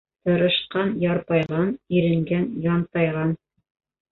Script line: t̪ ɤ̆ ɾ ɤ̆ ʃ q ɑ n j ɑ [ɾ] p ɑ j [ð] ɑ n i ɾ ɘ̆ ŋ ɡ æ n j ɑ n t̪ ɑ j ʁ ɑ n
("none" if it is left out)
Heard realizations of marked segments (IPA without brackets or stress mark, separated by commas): ɾ, ʁ